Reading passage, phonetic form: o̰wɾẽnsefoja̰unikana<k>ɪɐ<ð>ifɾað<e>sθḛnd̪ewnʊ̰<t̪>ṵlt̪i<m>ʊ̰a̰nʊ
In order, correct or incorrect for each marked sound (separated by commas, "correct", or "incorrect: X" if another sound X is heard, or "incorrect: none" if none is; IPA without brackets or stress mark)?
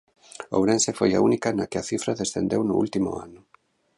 correct, incorrect: θ, correct, incorrect: none, correct